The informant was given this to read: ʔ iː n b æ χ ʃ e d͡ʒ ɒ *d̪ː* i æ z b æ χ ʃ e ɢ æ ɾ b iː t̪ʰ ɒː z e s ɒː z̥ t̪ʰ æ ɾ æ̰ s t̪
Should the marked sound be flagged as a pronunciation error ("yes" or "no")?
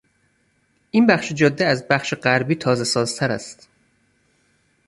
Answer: no